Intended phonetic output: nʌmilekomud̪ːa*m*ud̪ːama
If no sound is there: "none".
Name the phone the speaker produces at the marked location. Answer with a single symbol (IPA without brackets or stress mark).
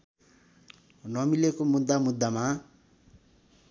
m